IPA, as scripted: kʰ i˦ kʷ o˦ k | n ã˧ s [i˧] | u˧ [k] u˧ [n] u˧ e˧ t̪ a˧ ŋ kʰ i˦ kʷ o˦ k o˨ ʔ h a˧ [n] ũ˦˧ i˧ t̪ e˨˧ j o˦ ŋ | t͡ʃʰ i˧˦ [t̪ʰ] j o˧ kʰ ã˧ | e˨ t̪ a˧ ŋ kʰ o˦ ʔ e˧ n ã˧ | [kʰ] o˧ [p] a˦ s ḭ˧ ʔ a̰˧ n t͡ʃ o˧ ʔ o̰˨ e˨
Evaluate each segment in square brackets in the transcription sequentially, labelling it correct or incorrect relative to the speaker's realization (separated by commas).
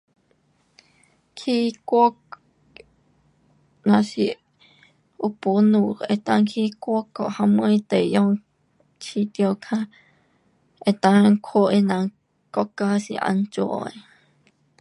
correct, incorrect, correct, incorrect, incorrect, incorrect, incorrect